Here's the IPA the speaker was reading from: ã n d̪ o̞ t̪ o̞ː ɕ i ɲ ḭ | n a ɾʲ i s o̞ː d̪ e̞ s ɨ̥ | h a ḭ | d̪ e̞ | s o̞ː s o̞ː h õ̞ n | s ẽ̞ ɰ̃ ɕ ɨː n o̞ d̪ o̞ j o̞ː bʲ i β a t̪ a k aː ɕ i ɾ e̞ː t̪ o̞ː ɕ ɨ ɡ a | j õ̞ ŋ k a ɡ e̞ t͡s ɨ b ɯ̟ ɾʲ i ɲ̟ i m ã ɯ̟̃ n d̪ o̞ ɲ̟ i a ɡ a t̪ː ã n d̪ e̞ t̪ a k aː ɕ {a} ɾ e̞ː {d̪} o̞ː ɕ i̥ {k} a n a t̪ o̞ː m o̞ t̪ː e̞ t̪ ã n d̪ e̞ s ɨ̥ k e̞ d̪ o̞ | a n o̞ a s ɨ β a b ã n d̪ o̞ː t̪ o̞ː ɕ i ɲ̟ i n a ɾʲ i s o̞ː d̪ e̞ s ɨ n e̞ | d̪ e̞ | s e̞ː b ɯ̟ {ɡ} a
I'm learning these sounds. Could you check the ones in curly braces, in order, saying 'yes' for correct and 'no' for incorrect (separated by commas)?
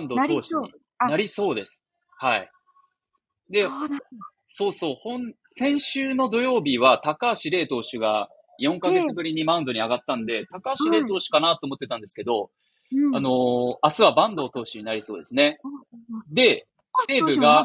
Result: no, no, yes, yes